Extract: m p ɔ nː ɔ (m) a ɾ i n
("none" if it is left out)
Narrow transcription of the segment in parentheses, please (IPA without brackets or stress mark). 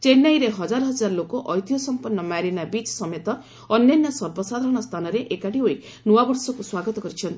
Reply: m